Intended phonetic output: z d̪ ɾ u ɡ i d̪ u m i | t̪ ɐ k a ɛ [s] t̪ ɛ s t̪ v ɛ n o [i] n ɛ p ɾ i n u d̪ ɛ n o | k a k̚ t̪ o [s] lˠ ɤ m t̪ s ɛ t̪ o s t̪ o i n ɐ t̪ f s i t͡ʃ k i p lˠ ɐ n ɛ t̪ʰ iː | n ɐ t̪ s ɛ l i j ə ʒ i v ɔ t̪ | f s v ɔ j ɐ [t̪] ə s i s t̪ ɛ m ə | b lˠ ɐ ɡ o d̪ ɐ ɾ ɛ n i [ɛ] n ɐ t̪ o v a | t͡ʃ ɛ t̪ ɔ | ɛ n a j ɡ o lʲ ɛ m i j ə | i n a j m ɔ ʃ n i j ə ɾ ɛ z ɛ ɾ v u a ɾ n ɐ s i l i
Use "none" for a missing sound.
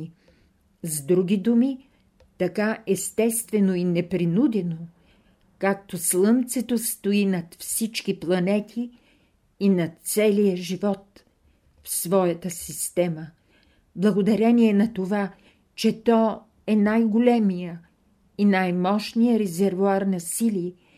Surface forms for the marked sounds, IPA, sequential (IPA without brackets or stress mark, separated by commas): s, i, s, t̪, ɛ